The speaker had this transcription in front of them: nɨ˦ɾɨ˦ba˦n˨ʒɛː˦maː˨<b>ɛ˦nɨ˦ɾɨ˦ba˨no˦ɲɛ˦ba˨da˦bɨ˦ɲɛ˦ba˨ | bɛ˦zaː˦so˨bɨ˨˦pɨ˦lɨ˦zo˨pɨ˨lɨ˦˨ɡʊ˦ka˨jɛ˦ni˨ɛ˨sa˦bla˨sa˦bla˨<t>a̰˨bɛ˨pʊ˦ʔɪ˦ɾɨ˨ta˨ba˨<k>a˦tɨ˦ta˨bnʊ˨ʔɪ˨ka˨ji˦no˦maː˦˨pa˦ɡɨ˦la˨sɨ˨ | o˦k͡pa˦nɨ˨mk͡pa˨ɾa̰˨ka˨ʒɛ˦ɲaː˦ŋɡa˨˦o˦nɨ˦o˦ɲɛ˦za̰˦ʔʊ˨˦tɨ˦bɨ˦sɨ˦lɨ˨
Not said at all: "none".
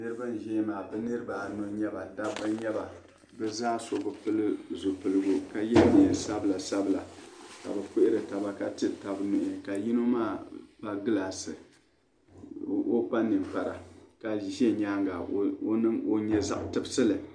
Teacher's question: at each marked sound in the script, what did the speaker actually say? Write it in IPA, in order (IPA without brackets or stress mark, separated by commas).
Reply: b, k, k